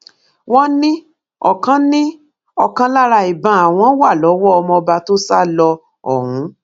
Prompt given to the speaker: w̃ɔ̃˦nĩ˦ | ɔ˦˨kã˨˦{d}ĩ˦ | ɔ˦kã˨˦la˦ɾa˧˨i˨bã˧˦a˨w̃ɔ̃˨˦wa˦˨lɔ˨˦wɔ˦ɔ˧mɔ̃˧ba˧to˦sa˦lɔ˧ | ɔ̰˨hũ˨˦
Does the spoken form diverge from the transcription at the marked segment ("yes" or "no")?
yes